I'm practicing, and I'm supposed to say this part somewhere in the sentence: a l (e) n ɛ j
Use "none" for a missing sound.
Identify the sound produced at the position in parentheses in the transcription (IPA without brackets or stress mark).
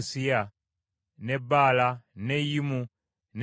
a